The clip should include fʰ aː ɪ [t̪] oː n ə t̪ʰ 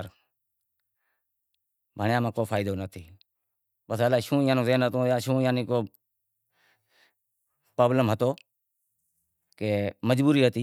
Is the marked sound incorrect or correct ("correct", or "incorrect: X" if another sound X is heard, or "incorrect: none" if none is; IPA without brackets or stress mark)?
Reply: incorrect: d̪